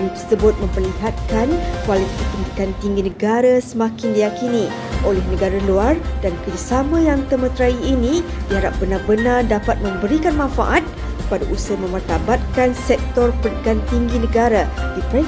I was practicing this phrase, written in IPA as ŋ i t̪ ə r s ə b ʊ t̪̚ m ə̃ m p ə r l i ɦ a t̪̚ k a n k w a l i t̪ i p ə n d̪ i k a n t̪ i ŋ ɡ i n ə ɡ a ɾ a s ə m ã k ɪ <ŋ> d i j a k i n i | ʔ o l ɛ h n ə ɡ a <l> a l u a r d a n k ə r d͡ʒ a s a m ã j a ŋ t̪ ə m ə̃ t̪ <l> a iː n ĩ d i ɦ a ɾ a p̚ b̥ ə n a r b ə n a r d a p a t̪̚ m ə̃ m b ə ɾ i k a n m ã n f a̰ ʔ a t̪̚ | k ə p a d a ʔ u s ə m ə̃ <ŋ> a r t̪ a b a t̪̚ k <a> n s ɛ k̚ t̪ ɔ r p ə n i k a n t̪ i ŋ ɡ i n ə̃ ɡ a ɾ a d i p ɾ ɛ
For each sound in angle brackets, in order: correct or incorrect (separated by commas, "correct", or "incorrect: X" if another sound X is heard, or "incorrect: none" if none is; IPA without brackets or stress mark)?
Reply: incorrect: n, incorrect: ɾ, incorrect: ɾ, incorrect: m, correct